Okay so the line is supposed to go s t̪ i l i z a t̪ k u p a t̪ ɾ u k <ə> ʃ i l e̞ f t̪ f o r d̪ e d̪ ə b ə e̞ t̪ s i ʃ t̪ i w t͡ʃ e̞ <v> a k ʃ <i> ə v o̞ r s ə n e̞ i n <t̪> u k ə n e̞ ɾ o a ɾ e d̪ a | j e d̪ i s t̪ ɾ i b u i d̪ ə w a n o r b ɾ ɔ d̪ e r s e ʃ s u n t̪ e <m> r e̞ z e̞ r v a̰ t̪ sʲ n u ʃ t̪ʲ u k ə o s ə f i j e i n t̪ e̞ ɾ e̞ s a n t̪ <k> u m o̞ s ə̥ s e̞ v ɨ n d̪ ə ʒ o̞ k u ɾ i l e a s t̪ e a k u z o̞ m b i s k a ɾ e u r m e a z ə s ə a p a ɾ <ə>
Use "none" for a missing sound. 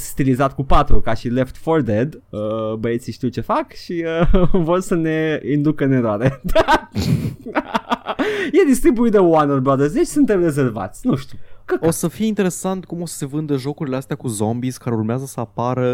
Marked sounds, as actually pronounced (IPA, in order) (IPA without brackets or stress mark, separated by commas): a, f, i, d̪, m, k, ə